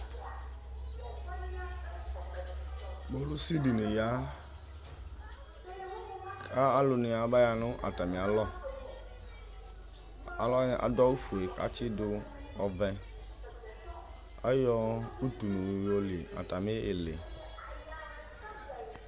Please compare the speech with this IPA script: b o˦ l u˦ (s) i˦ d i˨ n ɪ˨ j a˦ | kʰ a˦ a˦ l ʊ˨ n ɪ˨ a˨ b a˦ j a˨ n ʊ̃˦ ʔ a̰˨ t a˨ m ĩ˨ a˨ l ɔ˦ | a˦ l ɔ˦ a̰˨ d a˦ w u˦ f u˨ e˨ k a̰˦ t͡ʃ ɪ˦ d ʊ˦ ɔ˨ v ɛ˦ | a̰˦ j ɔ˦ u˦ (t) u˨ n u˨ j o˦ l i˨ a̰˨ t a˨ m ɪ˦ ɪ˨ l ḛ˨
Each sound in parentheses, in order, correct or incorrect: correct, correct

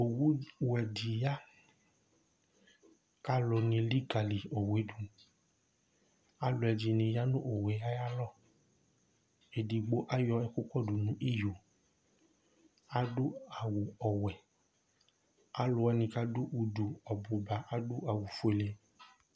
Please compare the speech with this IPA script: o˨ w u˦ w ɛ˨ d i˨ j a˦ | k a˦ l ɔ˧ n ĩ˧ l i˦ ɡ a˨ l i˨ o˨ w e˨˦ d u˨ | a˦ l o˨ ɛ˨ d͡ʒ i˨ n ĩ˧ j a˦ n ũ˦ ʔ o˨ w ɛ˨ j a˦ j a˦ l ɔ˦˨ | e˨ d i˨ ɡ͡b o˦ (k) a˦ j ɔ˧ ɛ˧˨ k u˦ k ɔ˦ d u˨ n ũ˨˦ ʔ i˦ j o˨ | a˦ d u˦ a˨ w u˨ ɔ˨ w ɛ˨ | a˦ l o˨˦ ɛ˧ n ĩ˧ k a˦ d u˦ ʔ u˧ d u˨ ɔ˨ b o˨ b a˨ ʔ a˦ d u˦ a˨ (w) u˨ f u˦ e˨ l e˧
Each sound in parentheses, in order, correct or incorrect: incorrect: ʔ, correct

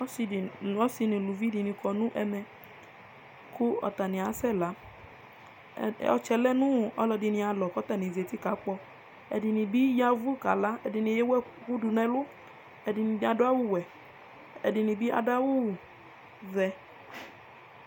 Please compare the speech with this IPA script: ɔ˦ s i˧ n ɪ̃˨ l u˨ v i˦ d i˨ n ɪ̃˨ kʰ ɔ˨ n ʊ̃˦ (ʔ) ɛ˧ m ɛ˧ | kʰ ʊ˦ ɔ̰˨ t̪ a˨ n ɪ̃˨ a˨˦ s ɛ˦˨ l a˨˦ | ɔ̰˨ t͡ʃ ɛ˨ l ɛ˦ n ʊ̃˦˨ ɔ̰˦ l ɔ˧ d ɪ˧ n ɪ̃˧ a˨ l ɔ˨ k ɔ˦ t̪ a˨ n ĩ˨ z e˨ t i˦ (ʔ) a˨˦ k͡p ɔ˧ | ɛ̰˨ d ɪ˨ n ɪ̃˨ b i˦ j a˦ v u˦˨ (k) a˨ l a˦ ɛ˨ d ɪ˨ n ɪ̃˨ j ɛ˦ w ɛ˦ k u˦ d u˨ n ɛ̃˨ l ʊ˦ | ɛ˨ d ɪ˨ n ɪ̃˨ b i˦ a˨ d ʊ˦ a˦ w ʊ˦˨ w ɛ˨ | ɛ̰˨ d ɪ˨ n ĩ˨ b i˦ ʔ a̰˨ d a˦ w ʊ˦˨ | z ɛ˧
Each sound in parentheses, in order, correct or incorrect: correct, incorrect: k, correct

